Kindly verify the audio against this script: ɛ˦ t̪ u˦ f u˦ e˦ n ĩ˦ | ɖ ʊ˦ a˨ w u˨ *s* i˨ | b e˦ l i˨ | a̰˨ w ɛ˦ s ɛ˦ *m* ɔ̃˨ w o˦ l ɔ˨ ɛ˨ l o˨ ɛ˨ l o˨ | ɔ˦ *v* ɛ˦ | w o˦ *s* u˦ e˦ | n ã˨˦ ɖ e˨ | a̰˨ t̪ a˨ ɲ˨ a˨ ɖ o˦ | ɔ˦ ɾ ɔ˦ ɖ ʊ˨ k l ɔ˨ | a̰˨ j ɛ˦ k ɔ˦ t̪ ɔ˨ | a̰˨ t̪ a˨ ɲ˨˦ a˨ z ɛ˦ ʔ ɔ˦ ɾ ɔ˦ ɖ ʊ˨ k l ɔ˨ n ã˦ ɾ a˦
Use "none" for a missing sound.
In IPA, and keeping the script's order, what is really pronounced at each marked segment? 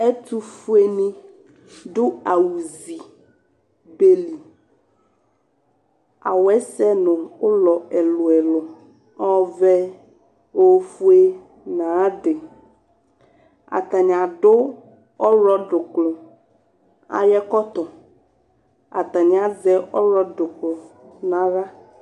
z, n, v, f

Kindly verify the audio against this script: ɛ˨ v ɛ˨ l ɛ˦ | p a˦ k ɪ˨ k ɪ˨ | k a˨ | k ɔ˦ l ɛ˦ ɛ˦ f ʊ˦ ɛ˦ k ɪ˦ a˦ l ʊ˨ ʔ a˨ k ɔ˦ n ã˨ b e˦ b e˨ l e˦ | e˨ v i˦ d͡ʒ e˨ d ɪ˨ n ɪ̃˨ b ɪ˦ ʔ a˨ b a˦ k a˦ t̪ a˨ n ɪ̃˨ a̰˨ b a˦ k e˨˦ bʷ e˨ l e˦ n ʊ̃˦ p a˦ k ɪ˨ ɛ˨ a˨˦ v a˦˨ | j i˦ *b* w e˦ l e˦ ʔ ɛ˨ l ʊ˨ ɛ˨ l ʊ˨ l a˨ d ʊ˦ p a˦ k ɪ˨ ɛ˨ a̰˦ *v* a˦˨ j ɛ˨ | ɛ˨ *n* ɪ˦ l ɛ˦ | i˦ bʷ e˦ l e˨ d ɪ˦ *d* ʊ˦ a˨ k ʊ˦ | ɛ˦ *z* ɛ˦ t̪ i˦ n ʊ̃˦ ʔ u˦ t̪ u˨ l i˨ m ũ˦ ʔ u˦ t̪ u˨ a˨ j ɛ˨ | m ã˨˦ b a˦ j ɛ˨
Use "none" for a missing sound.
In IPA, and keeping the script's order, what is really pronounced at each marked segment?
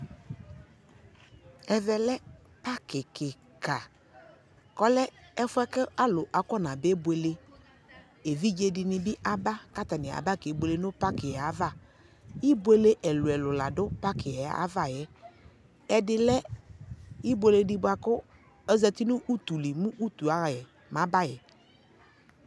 b, v, d, b, z

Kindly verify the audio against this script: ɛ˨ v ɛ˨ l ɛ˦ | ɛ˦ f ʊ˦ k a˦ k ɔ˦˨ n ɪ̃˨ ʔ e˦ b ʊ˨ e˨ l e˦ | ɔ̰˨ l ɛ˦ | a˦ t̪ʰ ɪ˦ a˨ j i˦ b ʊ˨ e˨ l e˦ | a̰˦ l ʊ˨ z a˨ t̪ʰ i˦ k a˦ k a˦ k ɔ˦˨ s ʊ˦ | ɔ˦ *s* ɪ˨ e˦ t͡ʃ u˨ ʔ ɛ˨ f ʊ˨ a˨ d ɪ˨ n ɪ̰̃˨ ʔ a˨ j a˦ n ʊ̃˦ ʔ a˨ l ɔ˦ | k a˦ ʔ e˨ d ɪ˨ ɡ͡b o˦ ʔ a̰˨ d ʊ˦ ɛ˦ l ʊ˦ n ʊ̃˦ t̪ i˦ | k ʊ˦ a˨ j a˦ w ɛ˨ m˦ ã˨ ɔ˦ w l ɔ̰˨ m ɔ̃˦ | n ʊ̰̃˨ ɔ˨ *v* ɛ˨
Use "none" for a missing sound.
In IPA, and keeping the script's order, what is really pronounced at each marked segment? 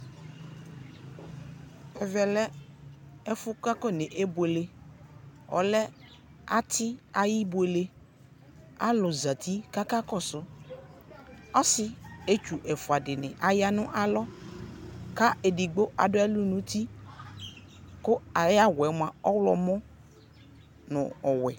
s, w

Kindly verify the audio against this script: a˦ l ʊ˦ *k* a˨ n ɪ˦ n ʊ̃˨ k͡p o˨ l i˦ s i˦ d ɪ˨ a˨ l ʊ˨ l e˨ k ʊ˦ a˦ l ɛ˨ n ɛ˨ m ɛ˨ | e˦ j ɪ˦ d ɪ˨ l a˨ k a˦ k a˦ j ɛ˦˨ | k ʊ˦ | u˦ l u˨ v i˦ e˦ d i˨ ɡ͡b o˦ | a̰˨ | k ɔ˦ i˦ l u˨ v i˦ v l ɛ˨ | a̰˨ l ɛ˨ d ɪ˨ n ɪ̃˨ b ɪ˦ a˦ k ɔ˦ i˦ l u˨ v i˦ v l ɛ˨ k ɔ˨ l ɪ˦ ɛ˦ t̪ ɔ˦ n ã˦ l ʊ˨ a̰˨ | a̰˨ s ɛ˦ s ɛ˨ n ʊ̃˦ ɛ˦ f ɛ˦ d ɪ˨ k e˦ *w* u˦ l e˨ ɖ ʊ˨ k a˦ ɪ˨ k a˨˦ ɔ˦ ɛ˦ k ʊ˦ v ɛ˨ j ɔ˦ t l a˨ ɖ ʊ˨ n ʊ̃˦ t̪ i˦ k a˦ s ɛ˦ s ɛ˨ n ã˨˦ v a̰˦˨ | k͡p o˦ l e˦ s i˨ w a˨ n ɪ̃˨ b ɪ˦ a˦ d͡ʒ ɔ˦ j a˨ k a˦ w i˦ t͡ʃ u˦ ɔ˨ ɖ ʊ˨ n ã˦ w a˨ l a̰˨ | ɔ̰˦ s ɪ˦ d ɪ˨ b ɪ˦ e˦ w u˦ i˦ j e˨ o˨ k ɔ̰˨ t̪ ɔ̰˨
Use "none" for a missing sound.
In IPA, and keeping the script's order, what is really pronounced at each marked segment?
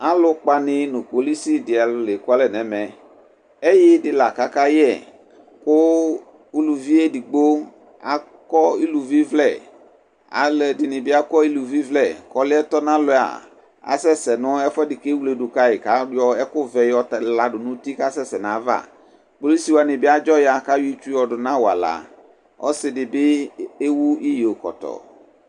k͡p, w

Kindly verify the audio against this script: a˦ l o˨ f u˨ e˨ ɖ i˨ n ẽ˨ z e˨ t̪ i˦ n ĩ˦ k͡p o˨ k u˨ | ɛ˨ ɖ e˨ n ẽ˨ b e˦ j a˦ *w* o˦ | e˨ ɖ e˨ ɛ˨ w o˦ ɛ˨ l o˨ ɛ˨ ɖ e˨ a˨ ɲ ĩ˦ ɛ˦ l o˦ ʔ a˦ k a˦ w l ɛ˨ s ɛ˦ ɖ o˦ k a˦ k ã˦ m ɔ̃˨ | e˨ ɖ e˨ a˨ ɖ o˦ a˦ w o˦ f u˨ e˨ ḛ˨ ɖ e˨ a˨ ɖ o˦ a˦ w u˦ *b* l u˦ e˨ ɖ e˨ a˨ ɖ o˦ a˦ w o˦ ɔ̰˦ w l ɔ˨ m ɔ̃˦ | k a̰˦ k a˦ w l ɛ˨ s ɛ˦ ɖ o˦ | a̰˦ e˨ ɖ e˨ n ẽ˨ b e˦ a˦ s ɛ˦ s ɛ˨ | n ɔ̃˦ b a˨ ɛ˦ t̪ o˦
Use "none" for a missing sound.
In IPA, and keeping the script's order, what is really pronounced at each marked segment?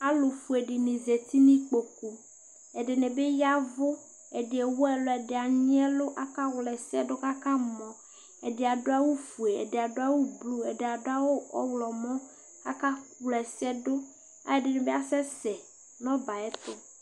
v, b

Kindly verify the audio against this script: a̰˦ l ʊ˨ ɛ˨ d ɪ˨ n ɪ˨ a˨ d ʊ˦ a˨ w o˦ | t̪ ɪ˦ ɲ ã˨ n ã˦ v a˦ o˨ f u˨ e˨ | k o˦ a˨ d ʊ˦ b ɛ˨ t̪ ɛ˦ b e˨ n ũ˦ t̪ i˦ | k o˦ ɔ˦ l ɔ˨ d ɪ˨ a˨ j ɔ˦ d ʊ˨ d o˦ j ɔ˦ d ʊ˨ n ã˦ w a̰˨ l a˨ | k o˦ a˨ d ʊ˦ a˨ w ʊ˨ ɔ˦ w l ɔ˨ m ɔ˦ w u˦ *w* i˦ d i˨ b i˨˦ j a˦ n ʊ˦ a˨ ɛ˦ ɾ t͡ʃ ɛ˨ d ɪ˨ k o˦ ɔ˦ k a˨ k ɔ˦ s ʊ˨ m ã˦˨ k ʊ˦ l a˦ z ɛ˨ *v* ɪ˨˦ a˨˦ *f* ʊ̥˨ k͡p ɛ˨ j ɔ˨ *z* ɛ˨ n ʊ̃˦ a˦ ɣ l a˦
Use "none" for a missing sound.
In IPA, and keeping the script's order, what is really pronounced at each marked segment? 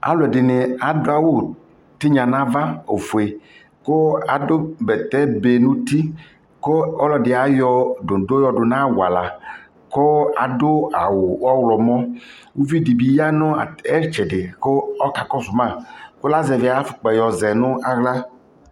v, v, f, z

